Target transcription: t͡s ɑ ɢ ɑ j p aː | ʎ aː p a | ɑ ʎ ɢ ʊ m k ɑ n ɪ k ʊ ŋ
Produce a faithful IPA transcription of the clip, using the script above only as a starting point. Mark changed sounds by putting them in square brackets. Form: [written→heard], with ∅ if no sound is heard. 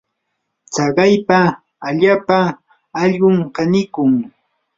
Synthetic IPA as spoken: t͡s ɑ ɢ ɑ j p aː | ʎ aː p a | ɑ ʎ ɢ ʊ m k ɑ n ɪ k ʊ ŋ